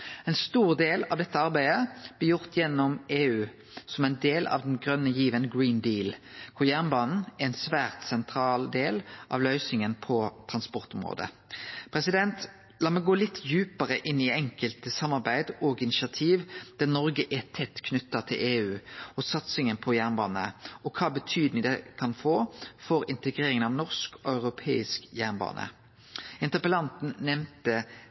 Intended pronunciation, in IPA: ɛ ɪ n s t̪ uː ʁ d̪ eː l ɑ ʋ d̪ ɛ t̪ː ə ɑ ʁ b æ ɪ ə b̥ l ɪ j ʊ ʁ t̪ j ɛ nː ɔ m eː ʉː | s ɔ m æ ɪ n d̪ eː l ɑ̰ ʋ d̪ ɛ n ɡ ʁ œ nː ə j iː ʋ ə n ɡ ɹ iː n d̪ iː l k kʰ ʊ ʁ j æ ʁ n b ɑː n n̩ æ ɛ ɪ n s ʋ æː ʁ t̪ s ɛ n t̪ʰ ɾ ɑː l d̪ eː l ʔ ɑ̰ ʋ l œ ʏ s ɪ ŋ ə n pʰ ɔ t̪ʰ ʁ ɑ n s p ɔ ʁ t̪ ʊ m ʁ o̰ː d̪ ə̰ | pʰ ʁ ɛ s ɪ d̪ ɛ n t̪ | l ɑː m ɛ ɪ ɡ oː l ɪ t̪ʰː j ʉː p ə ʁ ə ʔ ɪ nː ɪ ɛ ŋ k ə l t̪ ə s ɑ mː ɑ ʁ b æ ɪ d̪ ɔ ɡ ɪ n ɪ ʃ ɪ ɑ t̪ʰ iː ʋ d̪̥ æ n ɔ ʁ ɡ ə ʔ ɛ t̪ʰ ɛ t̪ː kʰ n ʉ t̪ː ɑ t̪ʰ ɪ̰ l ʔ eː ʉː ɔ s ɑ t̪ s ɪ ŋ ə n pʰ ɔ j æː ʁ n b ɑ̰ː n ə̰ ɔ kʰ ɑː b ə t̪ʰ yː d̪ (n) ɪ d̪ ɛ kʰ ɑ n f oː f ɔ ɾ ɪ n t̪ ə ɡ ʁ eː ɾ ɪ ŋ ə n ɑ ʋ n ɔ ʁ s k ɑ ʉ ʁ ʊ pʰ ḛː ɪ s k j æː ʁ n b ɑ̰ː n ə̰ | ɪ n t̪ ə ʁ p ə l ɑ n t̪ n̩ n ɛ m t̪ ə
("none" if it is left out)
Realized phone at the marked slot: n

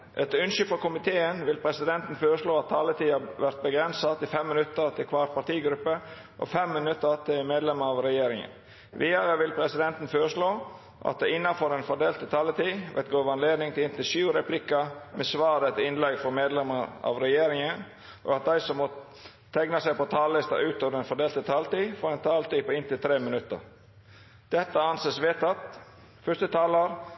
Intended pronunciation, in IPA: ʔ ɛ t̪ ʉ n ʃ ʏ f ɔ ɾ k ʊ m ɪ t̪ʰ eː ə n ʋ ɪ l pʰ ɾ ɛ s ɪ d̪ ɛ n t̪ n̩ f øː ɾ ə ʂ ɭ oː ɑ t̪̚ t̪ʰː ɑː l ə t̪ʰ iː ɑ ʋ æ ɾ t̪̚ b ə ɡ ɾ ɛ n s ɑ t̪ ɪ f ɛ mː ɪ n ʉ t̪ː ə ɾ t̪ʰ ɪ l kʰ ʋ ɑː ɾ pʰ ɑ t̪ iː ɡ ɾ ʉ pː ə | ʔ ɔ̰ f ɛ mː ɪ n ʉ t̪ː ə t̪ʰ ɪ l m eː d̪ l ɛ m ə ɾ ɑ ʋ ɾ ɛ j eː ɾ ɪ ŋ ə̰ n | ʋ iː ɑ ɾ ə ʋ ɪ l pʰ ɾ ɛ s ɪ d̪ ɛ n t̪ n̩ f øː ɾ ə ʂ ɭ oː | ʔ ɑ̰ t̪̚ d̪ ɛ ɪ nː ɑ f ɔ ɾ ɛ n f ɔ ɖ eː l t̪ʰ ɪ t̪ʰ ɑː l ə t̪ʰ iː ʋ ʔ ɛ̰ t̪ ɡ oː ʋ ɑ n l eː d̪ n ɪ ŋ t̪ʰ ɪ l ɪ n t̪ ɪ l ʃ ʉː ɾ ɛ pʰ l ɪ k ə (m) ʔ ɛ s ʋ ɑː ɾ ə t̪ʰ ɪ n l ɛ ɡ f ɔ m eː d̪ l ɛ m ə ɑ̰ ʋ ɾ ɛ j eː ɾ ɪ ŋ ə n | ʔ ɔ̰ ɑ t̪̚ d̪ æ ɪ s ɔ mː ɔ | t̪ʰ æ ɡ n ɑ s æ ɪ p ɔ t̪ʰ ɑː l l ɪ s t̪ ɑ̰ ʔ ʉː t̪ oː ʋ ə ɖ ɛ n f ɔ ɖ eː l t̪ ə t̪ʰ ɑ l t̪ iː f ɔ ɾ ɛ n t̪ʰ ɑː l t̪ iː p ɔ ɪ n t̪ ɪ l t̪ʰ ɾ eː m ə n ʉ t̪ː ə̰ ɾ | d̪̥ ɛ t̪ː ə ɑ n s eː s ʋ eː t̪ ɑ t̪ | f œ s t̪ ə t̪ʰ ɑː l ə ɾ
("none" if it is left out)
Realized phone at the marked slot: m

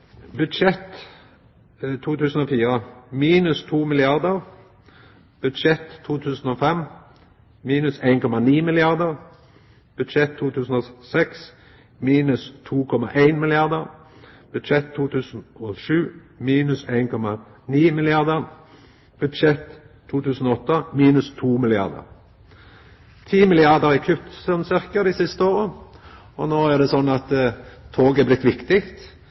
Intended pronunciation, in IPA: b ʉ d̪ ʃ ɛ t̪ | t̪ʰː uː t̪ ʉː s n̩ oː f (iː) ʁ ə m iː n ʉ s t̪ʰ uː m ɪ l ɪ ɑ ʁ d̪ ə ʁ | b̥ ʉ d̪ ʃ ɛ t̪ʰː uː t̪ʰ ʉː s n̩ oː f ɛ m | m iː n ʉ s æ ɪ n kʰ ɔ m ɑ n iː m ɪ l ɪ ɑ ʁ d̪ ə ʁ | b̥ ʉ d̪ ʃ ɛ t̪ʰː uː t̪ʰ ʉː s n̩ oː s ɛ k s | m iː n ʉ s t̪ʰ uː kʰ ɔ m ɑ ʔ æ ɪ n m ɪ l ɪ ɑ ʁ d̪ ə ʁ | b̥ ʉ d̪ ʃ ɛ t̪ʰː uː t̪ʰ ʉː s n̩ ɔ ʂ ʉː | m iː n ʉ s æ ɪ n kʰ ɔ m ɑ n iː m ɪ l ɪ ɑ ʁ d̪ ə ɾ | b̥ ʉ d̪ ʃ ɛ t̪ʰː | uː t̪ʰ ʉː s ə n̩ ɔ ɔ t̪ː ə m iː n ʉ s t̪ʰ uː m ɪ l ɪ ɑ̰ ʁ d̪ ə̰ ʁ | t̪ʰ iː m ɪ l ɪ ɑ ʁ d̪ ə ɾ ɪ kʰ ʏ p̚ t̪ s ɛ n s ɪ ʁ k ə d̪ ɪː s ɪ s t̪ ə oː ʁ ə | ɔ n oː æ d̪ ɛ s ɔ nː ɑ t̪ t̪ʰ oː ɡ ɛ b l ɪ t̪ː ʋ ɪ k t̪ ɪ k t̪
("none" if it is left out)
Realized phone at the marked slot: iː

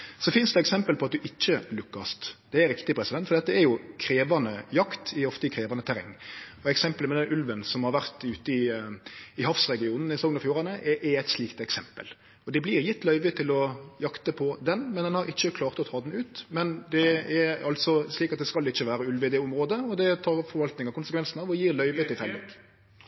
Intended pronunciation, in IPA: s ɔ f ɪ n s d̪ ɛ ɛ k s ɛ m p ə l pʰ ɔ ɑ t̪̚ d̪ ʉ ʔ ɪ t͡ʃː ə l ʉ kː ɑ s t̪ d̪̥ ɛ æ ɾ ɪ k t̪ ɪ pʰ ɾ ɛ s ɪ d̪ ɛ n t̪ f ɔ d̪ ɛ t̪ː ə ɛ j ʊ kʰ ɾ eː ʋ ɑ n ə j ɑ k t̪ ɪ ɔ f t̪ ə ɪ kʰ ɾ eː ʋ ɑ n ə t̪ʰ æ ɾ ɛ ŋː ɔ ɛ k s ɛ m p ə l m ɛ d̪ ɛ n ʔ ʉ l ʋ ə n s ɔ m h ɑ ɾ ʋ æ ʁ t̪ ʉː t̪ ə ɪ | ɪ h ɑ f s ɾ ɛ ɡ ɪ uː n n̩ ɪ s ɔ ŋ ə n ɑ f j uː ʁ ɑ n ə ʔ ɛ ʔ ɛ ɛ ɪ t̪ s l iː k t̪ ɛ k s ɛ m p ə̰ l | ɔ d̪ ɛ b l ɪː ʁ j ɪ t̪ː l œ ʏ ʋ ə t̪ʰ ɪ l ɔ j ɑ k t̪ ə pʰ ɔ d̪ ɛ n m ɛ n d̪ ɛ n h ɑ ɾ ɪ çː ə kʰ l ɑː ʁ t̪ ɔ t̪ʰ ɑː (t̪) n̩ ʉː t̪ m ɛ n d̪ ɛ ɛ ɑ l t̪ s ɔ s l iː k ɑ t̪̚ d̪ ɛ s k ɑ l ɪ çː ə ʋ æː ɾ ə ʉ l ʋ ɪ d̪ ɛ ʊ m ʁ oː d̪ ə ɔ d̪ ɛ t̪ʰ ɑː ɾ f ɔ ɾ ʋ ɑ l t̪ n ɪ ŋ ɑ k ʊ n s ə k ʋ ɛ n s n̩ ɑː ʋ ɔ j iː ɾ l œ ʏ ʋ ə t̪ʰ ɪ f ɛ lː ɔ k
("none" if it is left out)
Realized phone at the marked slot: d̪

